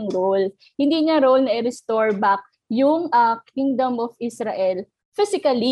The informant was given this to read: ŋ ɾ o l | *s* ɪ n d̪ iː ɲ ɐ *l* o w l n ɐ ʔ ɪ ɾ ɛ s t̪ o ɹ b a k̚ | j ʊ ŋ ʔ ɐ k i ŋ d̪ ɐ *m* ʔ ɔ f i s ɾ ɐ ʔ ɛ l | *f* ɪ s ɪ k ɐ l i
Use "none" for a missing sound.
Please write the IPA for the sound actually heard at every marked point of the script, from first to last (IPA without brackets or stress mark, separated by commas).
h, ɾ, m, f